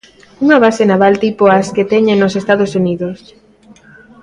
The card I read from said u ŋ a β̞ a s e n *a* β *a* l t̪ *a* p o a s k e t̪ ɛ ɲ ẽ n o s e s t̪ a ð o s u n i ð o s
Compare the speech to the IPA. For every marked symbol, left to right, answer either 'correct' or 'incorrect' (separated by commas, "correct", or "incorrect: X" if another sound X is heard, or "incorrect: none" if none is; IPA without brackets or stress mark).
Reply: correct, correct, incorrect: i